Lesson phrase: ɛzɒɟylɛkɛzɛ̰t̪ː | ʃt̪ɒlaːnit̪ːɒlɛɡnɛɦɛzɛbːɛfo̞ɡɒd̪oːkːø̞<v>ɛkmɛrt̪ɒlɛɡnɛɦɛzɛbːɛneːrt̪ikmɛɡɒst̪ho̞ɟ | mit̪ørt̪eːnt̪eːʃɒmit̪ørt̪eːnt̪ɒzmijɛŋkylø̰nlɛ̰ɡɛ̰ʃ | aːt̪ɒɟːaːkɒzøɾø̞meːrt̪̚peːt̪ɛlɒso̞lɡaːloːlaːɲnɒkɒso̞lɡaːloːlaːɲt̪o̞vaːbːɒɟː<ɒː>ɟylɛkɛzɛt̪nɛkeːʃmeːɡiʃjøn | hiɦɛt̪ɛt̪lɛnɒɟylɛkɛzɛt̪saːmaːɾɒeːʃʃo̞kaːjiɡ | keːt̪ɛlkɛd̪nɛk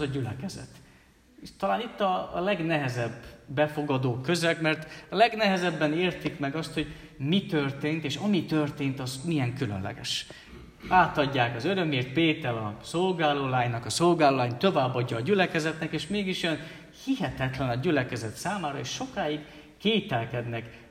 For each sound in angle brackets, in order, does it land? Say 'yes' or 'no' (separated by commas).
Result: no, yes